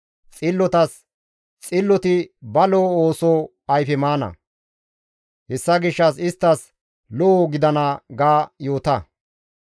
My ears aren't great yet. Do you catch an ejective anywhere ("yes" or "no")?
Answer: yes